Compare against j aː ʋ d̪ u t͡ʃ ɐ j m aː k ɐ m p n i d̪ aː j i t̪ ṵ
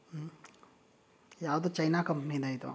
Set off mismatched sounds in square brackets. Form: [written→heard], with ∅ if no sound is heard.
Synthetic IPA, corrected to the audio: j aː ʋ d̪ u t͡ʃ ɐ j [m→n] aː k ɐ m p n i d̪ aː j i t̪ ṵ